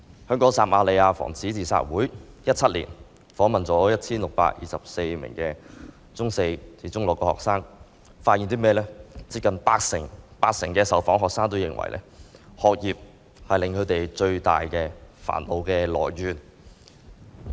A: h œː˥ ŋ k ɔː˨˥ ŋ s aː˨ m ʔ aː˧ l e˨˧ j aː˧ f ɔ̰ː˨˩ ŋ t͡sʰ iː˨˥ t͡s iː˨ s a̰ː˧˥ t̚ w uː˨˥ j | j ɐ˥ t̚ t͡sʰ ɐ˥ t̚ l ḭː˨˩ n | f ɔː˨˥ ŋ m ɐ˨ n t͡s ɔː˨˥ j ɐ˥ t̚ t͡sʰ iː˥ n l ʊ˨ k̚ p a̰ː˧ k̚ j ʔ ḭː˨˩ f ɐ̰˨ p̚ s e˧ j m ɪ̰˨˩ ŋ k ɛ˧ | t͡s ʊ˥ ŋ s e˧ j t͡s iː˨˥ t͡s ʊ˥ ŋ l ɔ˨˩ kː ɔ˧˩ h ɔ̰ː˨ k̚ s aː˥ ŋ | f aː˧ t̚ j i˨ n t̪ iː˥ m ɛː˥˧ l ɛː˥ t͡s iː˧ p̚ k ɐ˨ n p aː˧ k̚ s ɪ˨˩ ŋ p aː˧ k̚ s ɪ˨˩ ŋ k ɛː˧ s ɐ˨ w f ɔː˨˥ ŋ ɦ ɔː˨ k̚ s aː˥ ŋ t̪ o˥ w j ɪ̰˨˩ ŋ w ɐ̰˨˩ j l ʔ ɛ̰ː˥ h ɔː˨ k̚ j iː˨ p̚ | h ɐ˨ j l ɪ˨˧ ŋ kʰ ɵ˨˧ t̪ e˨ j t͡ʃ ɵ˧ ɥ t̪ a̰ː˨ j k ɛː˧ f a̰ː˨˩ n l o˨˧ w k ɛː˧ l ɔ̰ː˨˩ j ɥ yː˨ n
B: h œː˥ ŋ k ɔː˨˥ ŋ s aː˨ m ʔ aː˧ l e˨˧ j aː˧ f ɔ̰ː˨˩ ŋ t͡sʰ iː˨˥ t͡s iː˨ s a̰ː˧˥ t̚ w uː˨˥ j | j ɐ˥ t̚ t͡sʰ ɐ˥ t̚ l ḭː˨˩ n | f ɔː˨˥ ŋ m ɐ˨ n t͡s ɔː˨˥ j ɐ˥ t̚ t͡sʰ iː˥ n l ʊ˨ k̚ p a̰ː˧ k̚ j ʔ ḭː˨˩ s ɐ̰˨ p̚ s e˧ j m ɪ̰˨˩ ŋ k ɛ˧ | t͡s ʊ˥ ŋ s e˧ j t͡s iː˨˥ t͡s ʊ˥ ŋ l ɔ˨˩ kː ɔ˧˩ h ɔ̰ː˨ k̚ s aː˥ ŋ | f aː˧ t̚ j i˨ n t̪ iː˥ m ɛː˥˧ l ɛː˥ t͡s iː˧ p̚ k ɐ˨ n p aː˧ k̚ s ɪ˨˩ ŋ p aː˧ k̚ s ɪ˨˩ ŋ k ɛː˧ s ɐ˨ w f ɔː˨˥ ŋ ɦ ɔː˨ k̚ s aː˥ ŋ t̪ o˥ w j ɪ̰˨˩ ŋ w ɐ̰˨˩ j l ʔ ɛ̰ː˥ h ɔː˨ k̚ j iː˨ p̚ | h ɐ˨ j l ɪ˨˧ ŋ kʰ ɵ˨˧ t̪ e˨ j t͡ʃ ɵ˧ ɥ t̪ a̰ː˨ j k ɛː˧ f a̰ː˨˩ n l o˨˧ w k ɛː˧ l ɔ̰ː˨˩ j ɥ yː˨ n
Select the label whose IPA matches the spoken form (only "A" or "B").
B